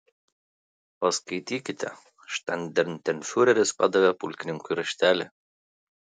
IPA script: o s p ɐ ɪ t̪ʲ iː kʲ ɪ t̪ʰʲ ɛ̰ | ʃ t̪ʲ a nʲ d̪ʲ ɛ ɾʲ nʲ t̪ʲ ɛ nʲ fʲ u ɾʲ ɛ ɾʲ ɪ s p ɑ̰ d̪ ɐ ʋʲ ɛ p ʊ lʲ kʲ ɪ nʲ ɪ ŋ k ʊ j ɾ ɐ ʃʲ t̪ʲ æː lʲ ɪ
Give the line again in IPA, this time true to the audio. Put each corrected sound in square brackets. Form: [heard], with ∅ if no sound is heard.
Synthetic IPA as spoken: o s [k] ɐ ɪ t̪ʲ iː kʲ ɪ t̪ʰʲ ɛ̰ | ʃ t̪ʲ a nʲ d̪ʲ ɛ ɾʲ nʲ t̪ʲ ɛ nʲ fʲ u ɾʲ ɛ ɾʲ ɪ s p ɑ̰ d̪ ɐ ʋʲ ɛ p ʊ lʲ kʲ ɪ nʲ ɪ ŋ k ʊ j ɾ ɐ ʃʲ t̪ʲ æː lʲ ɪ